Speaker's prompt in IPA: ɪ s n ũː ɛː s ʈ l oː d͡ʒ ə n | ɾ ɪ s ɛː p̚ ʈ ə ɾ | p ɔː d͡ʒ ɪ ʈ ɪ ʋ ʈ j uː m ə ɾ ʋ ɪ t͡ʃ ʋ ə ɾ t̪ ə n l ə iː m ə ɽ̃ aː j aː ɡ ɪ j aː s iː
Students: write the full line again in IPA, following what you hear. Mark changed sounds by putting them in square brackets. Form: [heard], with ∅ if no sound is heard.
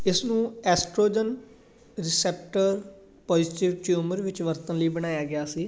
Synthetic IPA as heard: ɪ s n ũː ɛː s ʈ [ɾ] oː d͡ʒ ə n | ɾ ɪ s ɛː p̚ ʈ ə ɾ | p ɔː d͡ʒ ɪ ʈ ɪ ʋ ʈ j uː m ə ɾ ʋ ɪ t͡ʃ ʋ ə ɾ t̪ ə n l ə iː [b] ə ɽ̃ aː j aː ɡ ɪ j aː s iː